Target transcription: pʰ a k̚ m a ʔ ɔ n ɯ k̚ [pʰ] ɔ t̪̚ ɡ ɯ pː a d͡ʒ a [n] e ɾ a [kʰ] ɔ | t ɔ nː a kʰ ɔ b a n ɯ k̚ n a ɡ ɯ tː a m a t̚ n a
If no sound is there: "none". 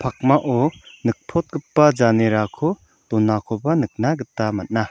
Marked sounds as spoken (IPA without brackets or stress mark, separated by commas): pʰ, n, kʰ